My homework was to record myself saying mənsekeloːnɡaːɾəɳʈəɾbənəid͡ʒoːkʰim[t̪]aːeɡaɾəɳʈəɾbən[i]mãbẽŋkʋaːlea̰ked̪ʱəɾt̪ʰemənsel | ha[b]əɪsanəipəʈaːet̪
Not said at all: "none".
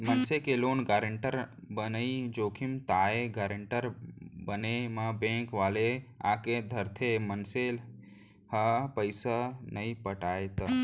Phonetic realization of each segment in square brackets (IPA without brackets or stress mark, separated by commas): t̪, e, p